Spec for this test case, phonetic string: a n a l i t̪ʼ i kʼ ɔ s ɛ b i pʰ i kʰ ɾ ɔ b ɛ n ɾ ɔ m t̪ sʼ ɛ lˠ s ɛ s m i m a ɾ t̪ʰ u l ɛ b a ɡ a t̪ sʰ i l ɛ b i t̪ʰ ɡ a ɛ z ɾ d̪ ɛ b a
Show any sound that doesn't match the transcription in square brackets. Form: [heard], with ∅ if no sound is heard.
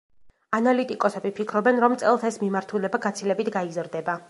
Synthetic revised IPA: a n a l i t̪ʼ i kʼ ɔ s ɛ b i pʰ i kʰ ɾ ɔ b ɛ n ɾ ɔ m t̪ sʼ ɛ lˠ s ɛ s m i m a ɾ t̪ʰ u l ɛ b a ɡ a t̪ sʰ i l ɛ b i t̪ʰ ɡ a [i] z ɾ d̪ ɛ b a